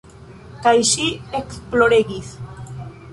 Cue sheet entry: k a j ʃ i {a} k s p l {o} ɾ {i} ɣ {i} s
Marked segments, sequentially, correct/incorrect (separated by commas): incorrect, correct, incorrect, correct